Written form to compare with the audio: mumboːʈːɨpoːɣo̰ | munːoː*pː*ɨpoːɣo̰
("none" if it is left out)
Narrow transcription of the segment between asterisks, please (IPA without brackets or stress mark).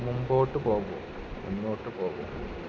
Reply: ʈː